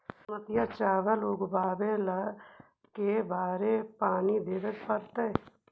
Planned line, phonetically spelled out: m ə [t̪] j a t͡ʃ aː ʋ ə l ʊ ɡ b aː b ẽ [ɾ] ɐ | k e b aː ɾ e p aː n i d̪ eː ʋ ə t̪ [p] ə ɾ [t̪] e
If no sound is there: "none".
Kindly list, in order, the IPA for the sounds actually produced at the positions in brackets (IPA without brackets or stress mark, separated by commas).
t̪, l, p, t̪